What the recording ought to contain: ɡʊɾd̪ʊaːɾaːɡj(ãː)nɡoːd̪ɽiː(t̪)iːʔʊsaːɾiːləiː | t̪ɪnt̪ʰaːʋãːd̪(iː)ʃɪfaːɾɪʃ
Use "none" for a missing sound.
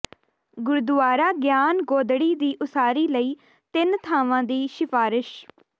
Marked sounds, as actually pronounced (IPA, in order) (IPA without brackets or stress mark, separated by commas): aː, d̪, iː